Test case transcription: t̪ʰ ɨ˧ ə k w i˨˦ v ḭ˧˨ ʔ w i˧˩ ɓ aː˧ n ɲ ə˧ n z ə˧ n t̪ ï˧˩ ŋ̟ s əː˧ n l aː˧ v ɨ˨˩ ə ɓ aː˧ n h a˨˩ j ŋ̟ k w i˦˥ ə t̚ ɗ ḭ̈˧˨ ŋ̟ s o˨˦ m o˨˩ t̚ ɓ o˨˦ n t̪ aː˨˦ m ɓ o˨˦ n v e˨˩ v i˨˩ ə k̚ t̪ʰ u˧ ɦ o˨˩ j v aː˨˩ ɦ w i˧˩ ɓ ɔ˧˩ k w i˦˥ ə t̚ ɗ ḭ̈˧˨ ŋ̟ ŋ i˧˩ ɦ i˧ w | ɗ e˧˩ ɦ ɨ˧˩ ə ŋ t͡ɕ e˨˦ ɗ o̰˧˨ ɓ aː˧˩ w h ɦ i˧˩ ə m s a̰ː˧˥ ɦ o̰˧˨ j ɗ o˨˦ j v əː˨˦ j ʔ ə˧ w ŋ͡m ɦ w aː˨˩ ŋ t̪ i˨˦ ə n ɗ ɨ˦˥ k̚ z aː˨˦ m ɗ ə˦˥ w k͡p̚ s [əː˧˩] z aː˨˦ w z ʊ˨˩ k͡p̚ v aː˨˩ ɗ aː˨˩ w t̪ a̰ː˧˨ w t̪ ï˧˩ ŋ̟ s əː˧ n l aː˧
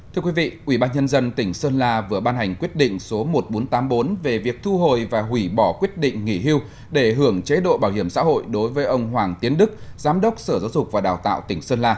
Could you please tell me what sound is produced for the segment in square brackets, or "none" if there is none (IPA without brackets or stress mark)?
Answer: əː˧˩